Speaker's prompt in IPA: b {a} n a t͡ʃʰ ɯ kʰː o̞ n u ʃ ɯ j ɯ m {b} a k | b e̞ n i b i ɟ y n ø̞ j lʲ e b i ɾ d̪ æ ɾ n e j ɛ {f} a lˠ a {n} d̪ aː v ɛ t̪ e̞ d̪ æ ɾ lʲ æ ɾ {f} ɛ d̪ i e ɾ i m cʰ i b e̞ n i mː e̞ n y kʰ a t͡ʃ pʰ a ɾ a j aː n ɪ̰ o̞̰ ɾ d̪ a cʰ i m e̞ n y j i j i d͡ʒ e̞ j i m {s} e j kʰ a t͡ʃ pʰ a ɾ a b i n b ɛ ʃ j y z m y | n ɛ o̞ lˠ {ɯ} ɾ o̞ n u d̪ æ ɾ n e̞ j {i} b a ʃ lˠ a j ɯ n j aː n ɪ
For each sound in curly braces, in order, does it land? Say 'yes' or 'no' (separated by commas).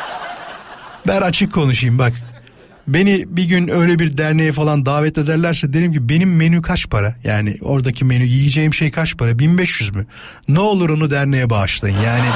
no, yes, yes, yes, no, no, no, no